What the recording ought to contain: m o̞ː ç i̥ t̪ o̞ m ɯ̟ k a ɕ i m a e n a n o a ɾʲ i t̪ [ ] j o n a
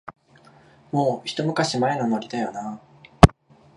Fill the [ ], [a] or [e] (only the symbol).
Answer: a